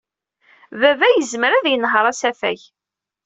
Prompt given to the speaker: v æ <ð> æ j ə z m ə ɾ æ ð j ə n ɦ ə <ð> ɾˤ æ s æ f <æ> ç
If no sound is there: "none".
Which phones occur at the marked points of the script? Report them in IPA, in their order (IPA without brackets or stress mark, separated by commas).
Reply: v, none, æ